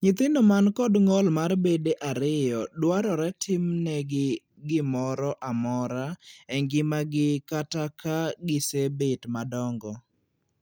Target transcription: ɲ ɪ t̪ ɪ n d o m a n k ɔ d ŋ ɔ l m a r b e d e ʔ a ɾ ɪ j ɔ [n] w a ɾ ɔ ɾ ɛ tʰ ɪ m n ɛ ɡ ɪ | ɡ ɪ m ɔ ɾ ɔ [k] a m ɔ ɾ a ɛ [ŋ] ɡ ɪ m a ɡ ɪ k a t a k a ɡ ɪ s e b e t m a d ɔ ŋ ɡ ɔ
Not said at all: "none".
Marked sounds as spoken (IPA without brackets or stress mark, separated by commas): d, ʔ, ŋ